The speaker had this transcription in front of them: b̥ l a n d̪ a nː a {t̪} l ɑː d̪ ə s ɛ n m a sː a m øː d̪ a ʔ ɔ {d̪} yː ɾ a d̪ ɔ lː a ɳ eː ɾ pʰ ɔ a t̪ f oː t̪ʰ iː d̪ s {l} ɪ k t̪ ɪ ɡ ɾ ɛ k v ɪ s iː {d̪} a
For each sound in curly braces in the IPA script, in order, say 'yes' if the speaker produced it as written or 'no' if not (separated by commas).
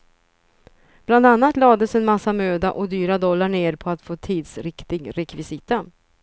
yes, yes, no, no